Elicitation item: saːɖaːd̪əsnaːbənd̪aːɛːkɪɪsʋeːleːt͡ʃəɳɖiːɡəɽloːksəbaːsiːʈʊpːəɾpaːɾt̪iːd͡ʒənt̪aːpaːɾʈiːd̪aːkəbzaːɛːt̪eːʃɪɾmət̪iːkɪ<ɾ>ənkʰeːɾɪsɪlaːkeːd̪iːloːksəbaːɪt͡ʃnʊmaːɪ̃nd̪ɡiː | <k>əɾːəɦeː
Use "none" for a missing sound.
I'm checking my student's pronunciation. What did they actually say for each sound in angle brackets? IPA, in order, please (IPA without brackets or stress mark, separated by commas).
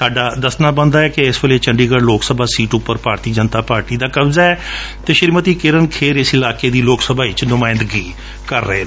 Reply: ɾ, k